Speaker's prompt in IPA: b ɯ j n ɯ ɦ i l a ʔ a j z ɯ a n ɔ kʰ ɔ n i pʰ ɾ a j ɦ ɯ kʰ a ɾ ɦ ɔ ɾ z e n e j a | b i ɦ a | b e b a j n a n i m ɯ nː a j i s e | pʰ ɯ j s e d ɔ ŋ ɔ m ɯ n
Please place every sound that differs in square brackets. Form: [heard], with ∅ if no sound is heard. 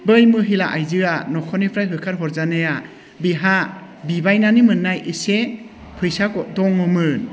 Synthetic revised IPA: b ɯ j [m] ɯ ɦ i l a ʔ a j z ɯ a n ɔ kʰ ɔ n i pʰ ɾ a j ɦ ɯ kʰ a ɾ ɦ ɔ ɾ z [a] n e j a | b i ɦ a | b [i] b a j n a n i m ɯ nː a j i s e | pʰ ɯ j s [a] d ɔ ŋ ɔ m ɯ n